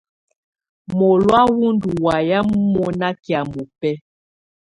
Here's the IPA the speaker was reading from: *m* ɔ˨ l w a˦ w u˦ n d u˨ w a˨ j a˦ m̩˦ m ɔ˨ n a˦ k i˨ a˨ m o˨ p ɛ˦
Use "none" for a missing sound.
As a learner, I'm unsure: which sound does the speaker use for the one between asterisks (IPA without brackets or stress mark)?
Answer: m